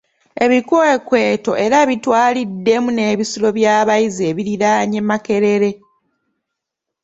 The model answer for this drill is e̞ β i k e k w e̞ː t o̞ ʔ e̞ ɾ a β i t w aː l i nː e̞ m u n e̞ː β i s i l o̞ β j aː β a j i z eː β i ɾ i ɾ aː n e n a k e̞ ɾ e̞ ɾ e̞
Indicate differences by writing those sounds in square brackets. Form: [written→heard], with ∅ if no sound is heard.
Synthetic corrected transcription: e̞ β i k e k w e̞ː t o̞ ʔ e̞ ɾ a β i t w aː l i [nː→dː] e̞ m u n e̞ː β i s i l o̞ β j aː β a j i z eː β i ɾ i ɾ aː [n→ɲ] e [n→m] a k e̞ ɾ e̞ ɾ e̞

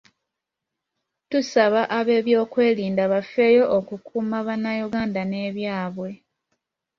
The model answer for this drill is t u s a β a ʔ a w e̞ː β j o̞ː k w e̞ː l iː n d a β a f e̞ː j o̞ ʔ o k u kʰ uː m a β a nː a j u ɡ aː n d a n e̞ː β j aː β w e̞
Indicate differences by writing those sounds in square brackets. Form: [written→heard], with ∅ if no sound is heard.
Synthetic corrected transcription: t u s a β a ʔ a [w→β] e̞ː β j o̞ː k w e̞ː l iː n d a β a f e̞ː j o̞ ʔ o k u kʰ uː m a β a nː a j u ɡ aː n d a n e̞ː β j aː β w e̞

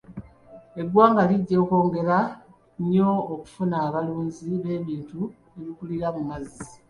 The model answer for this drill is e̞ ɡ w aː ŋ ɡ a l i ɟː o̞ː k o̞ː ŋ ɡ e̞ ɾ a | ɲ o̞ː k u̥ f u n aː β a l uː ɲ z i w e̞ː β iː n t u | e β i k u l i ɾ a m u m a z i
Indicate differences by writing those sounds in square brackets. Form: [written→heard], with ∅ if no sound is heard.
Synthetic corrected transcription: e̞ ɡ w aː ŋ ɡ a l i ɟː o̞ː k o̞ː ŋ ɡ e̞ ɾ a | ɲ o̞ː k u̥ f u n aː β a l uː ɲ z i [w→β] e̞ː β iː n t u | e β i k u l i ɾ a m u m a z i

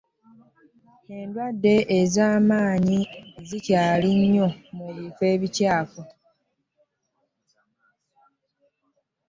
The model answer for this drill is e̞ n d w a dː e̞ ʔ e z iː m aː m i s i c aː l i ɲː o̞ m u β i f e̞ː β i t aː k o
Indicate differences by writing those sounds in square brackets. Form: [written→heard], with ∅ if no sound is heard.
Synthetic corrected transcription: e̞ n d w a dː e̞ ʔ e z [iː→aː] m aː [m→ɲ] i [s→z] i c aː l i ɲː o̞ m u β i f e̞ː β i [t→c] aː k o

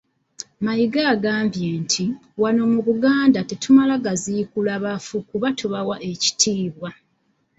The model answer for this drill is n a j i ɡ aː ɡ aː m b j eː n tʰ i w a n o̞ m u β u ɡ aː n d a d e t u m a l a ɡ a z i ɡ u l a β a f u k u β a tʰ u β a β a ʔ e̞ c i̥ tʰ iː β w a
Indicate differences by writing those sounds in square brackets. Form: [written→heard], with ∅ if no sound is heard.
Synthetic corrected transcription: [n→m] a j i ɡ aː ɡ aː m b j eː n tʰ i w a n o̞ m u β u ɡ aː n d a [d→t] e t u m a l a ɡ a z i [ɡ→k] u l a β a f u k u β a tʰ u β a [β→w] a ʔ e̞ c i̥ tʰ iː β w a

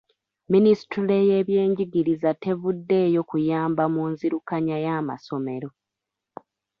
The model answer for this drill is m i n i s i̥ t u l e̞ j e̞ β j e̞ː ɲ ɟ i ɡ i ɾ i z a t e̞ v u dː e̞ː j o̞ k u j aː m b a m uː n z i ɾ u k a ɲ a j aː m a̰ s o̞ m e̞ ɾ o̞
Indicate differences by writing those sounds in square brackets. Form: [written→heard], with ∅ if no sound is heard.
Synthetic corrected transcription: m i n i s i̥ t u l e̞ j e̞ β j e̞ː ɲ ɟ i ɡ i ɾ i z a t e̞ v u dː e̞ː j o̞ k u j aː m b a m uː n z i ɾ u k a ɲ a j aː m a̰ s o̞ m e̞ ɾ o̞

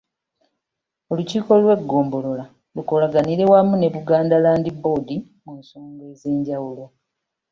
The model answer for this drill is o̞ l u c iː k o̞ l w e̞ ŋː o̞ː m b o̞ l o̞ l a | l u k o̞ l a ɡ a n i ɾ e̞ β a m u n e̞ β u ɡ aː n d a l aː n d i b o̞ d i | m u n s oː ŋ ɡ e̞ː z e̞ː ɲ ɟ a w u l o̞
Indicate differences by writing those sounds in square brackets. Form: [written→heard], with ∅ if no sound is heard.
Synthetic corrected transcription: o̞ l u c iː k o̞ l w e̞ [ŋː→ɡː] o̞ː m b o̞ l o̞ l a | l u k o̞ l a ɡ a n i ɾ e̞ [β→w] a m u n e̞ β u ɡ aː n d a l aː n d i b o̞ d i | m u n s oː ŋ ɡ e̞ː z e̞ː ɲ ɟ a w u l o̞

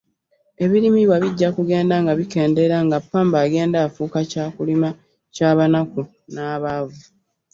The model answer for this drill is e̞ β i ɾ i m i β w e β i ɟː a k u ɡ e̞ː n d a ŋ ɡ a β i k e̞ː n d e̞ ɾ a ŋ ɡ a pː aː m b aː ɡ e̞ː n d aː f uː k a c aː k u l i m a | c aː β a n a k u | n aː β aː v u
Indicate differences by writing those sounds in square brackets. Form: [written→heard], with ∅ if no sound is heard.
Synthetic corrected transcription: e̞ β i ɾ i m i β w [e→a] β i ɟː a k u ɡ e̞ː n d a ŋ ɡ a β i k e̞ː n d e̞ ɾ a ŋ ɡ a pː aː m b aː ɡ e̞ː n d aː f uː k a c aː k u l i m a | c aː β a n a k u | n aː β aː v u

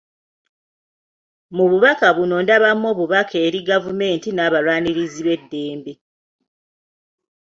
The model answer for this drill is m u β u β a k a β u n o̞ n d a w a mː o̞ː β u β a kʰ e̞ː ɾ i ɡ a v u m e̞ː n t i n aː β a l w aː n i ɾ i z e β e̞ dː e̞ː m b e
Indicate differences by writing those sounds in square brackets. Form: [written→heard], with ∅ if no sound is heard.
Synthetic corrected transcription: m u β u β a k a β u n o̞ n d a [w→β] a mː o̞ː β u β a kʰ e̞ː ɾ i ɡ a v u m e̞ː n t i n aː β a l w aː n i ɾ i z [e→i] β e̞ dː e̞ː m b e

